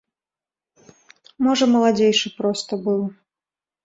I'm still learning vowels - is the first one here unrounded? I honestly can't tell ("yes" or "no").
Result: no